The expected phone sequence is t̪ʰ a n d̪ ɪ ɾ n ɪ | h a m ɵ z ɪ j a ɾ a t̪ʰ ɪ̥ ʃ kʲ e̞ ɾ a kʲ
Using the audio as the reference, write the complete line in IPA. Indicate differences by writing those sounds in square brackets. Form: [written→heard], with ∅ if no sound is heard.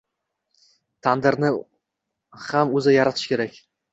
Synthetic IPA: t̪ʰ a n d̪ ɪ ɾ n ɪ | h a m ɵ z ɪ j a ɾ a t̪ʰ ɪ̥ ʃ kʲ e̞ ɾ a kʲ